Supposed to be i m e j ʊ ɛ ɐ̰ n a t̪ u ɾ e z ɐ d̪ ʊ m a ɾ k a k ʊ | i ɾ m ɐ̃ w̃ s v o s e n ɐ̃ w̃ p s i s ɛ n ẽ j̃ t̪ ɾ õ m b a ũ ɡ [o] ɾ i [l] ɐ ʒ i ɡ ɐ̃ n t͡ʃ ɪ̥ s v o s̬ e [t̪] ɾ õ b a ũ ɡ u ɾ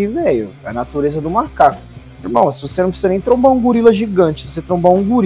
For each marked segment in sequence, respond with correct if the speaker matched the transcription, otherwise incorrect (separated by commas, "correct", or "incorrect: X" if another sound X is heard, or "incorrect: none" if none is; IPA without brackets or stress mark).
incorrect: u, correct, correct